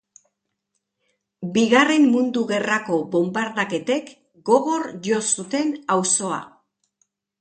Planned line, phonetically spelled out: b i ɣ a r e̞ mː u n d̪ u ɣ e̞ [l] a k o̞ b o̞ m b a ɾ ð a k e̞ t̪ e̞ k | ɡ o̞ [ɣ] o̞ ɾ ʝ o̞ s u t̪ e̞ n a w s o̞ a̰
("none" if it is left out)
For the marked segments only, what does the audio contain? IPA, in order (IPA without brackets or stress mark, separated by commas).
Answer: r, ɣ